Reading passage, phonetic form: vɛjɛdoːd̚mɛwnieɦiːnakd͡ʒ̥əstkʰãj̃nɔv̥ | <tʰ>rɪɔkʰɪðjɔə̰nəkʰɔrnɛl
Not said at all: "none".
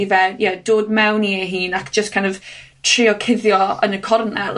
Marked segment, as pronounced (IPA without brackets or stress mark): tʰ